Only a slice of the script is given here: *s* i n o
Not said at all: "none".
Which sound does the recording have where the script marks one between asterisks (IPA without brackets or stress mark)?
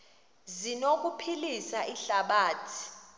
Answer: z